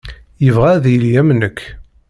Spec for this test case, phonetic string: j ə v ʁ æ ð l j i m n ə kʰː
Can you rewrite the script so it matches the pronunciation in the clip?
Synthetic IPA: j ə v ʁ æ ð l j æ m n ə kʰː